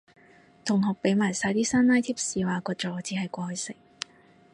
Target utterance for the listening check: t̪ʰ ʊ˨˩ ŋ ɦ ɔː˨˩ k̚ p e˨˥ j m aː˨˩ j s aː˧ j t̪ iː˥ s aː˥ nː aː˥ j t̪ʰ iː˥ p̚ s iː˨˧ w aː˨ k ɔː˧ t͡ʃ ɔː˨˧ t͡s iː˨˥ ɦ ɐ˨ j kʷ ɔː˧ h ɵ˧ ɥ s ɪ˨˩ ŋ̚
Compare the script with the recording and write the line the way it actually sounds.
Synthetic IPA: t̪ʰ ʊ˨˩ ŋ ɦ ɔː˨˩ k̚ p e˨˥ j m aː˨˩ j s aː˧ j t̪ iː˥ s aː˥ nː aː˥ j t̪ʰ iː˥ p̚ s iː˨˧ w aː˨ k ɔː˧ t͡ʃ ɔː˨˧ t͡s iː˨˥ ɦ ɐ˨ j kʷ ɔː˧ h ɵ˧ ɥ s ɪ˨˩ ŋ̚